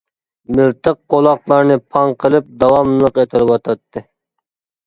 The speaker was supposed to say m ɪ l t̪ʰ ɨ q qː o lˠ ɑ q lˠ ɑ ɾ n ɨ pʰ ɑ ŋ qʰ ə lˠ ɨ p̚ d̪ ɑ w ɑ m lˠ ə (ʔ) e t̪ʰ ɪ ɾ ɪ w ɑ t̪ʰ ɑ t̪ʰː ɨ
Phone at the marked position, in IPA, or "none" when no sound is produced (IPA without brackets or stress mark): q